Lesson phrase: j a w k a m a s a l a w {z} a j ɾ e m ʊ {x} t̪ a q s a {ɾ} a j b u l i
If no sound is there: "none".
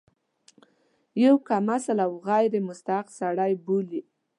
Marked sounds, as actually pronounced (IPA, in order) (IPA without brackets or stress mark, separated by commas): ɣ, s, ɽ